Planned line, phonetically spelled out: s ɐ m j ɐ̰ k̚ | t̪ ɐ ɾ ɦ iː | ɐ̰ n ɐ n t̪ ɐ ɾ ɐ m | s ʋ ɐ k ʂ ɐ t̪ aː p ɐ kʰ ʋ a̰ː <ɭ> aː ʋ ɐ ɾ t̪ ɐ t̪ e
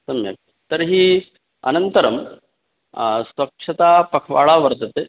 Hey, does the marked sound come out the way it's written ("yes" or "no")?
yes